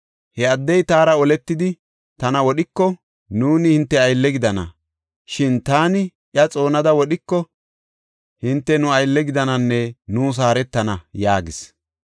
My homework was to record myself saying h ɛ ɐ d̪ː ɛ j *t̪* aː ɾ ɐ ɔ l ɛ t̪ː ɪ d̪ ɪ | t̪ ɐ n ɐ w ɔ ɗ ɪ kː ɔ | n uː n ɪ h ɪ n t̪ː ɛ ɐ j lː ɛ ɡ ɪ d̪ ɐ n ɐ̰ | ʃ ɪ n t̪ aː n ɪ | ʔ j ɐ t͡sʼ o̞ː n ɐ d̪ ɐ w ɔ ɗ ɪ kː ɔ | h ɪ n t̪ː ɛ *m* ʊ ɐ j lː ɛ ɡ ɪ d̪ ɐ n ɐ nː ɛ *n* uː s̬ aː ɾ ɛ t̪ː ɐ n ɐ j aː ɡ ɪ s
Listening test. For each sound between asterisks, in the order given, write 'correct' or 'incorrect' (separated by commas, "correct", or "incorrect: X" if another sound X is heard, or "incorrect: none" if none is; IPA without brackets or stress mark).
correct, incorrect: n, correct